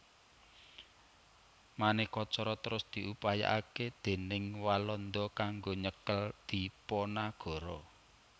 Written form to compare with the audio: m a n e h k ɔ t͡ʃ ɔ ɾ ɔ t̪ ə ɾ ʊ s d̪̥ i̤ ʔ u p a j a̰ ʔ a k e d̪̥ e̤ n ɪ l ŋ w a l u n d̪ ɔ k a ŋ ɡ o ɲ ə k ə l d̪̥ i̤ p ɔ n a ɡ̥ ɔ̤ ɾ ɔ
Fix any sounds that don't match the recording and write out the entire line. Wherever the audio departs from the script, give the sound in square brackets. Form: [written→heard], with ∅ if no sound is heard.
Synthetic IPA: m a n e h k ɔ t͡ʃ ɔ ɾ ɔ t̪ ə ɾ ʊ s d̪̥ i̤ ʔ u p a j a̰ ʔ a k e d̪̥ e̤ n ɪ [l→∅] ŋ w a l [u→ɔ] n d̪ ɔ k a ŋ ɡ o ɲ ə k ə l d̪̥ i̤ p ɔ n a ɡ̥ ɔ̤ ɾ ɔ